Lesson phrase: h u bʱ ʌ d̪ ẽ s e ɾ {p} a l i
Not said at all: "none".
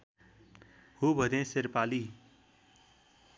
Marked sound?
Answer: p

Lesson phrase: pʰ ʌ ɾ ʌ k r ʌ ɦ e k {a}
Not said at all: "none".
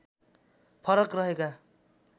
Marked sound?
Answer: a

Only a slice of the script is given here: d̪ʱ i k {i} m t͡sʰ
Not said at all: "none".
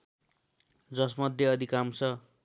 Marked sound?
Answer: a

